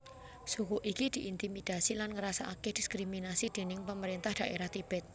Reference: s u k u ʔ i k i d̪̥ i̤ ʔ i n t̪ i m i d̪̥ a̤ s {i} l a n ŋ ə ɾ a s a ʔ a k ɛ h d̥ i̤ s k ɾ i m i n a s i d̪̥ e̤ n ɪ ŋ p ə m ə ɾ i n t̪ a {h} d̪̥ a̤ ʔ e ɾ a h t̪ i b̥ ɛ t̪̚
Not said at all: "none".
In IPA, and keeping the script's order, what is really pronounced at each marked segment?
i, h

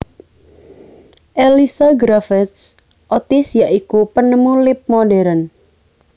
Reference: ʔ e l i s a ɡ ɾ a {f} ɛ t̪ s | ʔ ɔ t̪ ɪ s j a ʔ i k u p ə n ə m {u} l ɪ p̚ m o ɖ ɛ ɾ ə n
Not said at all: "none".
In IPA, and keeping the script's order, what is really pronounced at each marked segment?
f, u

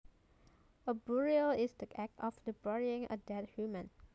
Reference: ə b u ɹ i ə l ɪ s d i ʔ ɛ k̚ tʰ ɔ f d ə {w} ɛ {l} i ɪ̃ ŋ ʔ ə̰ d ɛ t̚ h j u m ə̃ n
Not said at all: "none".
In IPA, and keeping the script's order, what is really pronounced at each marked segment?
b, ɹ

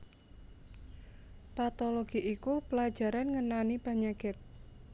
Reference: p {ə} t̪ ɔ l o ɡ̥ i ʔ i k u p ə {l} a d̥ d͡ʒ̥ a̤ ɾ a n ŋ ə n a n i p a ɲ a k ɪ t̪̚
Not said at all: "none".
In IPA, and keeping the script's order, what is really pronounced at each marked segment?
a, l

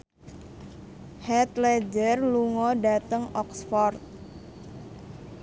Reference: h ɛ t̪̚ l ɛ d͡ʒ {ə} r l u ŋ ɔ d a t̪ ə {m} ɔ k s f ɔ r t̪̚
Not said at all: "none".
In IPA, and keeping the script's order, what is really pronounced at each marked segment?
ə, ŋ

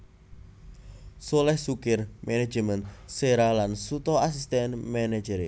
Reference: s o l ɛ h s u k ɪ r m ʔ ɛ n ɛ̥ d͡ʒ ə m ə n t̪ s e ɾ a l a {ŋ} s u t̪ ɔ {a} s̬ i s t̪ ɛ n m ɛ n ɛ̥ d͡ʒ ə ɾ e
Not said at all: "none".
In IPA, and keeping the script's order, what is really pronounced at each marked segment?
n, a

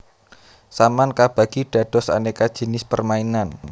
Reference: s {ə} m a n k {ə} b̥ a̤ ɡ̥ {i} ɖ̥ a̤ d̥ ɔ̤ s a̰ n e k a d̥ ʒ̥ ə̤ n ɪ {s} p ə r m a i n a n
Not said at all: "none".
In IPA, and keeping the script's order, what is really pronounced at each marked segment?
a, a, i, s

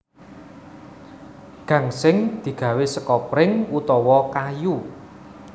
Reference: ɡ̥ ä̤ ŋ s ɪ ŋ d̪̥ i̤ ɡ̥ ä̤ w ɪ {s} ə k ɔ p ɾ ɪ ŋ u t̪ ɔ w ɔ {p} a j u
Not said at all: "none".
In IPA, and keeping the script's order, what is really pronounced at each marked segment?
s, k

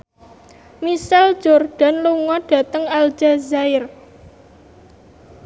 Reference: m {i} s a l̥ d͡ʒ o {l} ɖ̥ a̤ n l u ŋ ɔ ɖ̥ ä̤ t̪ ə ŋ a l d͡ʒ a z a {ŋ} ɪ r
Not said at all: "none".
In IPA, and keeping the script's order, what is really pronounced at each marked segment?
i, r, none

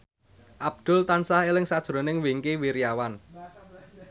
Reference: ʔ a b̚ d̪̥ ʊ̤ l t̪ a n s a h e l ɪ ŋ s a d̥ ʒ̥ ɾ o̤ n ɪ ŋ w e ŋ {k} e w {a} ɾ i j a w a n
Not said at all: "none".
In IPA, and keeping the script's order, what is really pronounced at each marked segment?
k, i

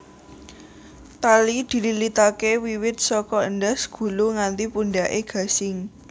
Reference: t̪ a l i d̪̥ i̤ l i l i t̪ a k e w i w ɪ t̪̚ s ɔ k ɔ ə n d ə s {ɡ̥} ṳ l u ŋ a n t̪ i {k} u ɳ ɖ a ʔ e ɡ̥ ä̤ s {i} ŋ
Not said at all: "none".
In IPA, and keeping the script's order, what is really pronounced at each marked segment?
ɡ̥, p, ɪ

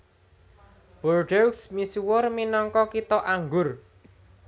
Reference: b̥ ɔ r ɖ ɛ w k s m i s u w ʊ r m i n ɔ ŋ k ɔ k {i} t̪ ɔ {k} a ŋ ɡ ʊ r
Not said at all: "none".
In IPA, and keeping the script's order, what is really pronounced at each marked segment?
i, ʔ

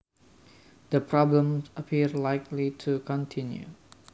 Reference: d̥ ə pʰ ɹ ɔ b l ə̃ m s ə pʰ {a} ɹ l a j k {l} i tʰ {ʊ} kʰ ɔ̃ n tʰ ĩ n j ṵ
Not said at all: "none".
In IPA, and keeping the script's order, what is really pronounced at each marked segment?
i, l, u

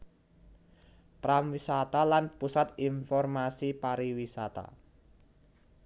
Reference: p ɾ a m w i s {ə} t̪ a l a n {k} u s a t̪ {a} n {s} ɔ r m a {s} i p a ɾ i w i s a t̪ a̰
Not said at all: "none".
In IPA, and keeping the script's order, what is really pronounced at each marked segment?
a, p, i, f, s

